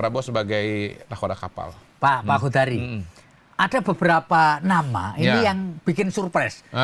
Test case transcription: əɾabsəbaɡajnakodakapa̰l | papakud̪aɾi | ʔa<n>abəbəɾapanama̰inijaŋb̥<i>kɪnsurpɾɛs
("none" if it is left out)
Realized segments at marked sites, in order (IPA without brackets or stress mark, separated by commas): d, i